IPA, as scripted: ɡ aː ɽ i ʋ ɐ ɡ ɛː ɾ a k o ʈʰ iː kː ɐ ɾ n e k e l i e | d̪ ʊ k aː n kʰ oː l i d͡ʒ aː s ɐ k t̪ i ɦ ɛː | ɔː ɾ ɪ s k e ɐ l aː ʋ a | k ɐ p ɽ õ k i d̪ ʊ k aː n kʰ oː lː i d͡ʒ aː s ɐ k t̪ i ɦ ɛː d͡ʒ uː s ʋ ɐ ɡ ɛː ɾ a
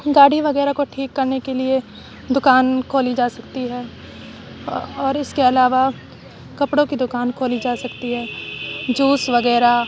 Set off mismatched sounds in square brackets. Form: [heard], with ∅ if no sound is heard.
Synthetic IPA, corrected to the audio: ɡ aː ɽ i ʋ ɐ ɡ ɛː ɾ a k o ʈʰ iː kː ɐ ɾ n e k e l i e | d̪ ʊ k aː n kʰ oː l i d͡ʒ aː s ɐ k t̪ i ɦ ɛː | ɔː ɾ ɪ s k e ɐ l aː ʋ a | k ɐ p ɽ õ k i d̪ ʊ k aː n kʰ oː [l] i d͡ʒ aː s ɐ k t̪ i ɦ ɛː d͡ʒ uː s ʋ ɐ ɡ ɛː ɾ a